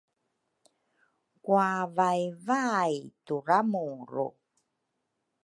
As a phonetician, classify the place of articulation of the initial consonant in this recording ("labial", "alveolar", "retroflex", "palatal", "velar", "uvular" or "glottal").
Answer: velar